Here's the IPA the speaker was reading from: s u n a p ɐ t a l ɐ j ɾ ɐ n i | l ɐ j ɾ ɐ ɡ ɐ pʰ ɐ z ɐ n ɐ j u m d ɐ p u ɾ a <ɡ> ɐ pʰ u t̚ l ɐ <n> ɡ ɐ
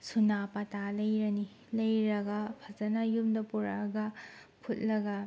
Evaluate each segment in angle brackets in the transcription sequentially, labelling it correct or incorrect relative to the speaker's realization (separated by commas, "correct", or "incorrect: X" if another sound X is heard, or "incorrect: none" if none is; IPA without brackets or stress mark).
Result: correct, incorrect: none